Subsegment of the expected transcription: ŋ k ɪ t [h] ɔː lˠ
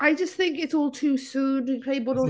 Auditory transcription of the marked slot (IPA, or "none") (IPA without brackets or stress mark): s